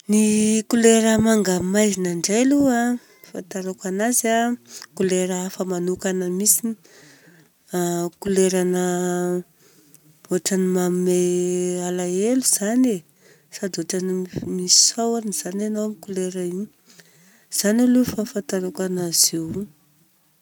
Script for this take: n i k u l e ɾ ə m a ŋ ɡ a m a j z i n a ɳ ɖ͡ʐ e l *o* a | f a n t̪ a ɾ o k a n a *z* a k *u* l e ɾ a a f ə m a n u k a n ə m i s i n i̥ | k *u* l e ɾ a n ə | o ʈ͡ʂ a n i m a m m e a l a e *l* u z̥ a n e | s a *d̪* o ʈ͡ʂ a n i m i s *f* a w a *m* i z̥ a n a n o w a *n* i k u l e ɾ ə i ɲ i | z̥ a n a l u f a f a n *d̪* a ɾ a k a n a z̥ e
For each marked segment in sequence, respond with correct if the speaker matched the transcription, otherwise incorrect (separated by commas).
incorrect, correct, correct, correct, correct, correct, incorrect, incorrect, incorrect, incorrect